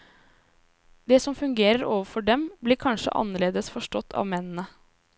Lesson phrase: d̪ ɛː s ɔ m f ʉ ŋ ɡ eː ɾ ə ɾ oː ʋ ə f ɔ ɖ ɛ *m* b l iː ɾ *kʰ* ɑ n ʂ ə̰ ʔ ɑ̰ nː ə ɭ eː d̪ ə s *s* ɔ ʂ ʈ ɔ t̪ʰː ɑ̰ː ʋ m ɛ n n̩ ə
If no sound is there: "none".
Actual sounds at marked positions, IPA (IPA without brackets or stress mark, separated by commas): m, kʰ, f